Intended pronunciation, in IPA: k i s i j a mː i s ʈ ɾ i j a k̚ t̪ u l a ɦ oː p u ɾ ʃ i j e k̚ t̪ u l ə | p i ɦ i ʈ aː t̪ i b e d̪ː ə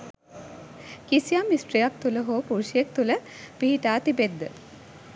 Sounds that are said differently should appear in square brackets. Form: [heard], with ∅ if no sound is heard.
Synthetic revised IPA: k i s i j a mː i s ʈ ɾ i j a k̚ t̪ u l [ə] ɦ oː p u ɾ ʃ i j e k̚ t̪ u l ə | p i ɦ i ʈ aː t̪ i b e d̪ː ə